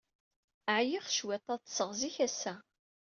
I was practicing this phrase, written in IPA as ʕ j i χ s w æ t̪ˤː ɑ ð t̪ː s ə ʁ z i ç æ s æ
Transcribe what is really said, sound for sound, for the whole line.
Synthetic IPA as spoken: ʕ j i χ ʃ w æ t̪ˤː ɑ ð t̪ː s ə ʁ z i ç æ s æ

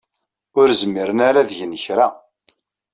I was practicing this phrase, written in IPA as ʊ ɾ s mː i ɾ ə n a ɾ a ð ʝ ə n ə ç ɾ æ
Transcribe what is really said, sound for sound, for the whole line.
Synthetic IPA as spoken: ʊ ɾ z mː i ɾ ə n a ɾ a ð ʝ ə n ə ç ɾ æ

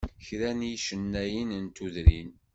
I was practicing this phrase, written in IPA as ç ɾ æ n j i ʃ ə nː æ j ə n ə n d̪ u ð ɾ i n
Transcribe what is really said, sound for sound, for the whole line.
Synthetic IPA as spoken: ç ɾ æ n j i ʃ ə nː æ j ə n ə n t̪ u ð ɾ i n

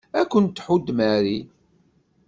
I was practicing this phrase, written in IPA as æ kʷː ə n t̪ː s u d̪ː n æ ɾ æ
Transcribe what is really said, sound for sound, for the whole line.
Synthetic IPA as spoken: æ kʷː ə n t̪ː ħ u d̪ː m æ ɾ i

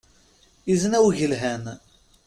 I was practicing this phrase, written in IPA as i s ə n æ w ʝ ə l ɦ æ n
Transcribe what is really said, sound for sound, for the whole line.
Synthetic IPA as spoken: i z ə n æ w ʝ ə l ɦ æ n

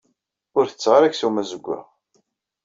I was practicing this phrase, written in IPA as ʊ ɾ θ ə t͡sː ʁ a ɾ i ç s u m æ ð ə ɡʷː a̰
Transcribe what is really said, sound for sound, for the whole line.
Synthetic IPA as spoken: ʊ ɾ θ ə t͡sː ʁ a ɾ æ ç s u m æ z ə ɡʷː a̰

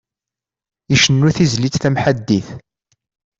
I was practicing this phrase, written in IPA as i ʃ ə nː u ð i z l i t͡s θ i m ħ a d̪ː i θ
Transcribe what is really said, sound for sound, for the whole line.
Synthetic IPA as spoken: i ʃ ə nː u θ i z l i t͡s θ æ m ħ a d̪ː i θ

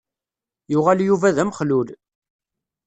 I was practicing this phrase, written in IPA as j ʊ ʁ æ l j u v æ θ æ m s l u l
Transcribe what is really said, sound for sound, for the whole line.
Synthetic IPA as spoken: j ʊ ʁ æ l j u v æ ð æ m χ l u l

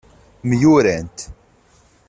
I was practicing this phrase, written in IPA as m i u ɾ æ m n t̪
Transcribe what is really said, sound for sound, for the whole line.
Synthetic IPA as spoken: m j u ɾ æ n t̪

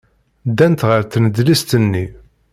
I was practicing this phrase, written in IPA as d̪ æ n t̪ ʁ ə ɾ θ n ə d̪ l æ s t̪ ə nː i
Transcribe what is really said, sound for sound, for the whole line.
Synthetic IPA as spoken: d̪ æ n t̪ ʁ ə ɾ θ n ə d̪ l i s t̪ ə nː i

